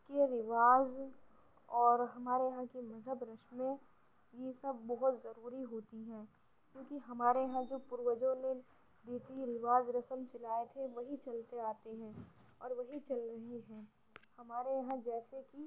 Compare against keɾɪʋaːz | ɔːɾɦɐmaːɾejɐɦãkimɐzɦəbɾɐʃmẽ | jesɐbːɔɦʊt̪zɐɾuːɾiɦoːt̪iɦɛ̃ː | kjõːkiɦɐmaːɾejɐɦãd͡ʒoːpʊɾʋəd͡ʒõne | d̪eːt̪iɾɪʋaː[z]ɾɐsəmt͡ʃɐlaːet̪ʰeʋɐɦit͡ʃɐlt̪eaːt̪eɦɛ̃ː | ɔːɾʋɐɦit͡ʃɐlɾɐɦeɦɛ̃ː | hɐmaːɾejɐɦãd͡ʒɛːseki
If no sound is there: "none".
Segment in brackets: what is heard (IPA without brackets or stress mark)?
z